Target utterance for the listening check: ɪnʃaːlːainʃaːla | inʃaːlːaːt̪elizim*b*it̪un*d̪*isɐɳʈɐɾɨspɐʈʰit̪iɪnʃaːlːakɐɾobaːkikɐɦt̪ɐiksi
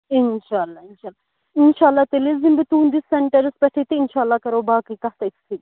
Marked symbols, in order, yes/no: yes, yes

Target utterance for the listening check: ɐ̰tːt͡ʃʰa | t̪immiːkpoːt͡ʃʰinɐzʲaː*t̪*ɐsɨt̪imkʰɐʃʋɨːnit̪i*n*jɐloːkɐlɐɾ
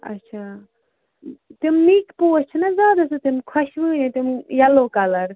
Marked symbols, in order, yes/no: no, no

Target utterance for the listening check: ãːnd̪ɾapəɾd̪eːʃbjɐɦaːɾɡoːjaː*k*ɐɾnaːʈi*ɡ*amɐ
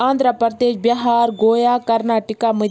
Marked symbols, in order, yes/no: yes, no

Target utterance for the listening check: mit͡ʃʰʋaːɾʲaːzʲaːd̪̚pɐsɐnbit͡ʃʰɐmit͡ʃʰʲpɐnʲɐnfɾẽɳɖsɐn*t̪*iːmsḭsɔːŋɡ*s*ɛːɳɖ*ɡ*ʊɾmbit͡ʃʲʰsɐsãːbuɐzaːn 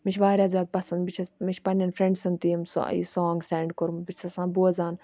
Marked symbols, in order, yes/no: yes, yes, no

